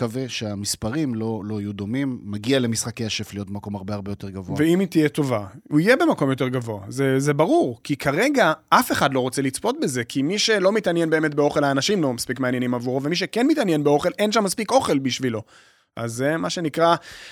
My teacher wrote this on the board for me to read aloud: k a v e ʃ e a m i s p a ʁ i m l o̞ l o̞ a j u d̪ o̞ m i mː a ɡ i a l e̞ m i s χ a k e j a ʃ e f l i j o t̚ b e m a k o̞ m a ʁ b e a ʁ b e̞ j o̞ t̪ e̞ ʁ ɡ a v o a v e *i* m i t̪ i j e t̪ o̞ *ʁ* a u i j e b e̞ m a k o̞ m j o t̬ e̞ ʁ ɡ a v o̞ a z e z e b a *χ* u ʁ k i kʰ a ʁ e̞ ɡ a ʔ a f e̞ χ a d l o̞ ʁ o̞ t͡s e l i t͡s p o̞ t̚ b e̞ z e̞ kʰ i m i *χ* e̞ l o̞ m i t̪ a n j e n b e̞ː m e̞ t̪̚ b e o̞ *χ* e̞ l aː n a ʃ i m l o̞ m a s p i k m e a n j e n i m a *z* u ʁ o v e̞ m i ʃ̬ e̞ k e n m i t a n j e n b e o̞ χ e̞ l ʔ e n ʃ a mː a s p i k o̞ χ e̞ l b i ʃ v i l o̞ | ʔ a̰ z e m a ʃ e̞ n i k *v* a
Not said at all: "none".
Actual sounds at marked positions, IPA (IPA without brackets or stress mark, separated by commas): i, v, ʁ, ʃ, χ, v, ʁ